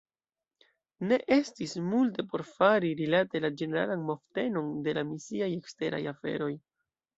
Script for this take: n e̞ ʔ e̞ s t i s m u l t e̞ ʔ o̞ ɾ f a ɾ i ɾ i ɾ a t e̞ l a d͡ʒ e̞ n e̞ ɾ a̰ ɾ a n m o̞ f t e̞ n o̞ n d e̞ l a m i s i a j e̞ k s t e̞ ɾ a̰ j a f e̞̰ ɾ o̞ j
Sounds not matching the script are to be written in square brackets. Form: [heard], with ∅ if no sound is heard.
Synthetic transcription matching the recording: n e̞ ʔ e̞ s t i s m u l t e̞ [p] o̞ ɾ f a ɾ i ɾ i [l] a t e̞ l a d͡ʒ e̞ n e̞ ɾ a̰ [l] a n m o̞ f t e̞ n o̞ n d e̞ l a m i s i a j e̞ k s t e̞ ɾ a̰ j a f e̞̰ ɾ o̞ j